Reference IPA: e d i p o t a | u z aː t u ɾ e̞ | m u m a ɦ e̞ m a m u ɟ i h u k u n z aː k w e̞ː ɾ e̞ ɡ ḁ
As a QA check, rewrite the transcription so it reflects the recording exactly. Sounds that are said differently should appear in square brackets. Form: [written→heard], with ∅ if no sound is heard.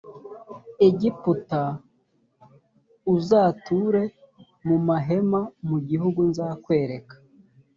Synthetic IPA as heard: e [d→ɟ] i p [o→u] t a | u z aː t u ɾ e̞ | m u m a ɦ e̞ m a m u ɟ i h u [k→ɡ] u n z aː k w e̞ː ɾ e̞ [ɡ→k] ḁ

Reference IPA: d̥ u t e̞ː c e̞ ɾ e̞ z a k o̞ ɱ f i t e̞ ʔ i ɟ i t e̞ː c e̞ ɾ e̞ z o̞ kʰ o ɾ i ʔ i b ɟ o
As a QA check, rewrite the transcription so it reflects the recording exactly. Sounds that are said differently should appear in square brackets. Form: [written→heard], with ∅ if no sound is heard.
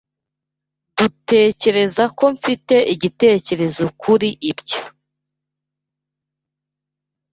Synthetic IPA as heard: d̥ u t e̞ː c e̞ ɾ e̞ z a k o̞ ɱ f i t e̞ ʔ i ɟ i t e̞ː c e̞ ɾ e̞ z o̞ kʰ [o→u] ɾ i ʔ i b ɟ o

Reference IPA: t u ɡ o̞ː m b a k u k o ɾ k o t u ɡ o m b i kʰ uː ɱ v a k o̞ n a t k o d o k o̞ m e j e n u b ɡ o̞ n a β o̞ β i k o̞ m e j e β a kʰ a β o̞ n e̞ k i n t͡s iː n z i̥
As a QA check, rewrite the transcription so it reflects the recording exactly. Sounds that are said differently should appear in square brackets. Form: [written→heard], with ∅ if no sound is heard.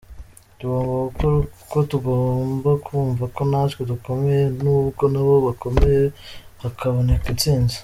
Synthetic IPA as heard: t u ɡ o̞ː m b a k u k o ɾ k o t u ɡ o m b [i→a] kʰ uː ɱ v a k o̞ n a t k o d [o→u] k o̞ m e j e n u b ɡ o̞ n a β o̞ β [i→a] k o̞ m e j e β a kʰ a β o̞ n e̞ k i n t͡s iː n z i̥

